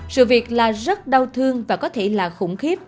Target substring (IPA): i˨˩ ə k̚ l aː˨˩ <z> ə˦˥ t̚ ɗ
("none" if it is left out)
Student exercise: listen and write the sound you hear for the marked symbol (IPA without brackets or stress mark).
z